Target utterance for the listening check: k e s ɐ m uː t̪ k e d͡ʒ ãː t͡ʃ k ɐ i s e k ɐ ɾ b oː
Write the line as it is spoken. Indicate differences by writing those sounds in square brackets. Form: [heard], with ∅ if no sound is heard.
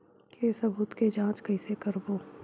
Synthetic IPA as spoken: k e s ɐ [b] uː t̪ k e d͡ʒ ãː t͡ʃ k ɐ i s e k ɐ ɾ b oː